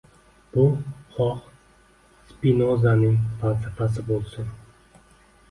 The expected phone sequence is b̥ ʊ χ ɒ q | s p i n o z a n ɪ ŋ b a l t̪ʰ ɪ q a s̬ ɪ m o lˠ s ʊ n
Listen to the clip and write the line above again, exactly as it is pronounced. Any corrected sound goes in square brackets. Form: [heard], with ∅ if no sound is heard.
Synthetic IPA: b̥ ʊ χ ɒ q | s p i n o z a n ɪ ŋ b a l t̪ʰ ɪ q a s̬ ɪ [b] o lˠ s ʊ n